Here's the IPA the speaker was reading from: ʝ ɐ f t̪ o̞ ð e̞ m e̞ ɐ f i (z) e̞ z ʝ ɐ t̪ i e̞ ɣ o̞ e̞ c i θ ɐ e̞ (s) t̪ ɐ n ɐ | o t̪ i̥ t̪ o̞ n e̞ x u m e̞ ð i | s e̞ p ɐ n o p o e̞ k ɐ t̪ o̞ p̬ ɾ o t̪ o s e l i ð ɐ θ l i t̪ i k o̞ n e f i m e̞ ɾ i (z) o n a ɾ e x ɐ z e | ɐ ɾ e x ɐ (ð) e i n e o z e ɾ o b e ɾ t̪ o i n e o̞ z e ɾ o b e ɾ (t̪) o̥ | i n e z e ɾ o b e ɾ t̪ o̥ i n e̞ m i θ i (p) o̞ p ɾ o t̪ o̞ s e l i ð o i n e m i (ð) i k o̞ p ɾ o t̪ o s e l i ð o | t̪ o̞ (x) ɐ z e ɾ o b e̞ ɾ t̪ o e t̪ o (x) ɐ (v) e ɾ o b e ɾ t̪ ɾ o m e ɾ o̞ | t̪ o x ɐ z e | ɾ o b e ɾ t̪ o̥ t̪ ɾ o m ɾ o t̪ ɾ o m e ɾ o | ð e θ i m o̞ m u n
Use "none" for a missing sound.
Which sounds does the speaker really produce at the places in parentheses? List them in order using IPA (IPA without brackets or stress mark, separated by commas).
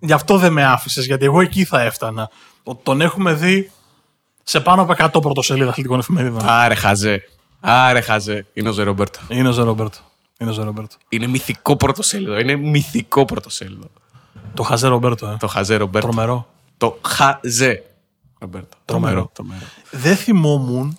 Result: s, f, ð, z, t̪, k, θ, x, x, z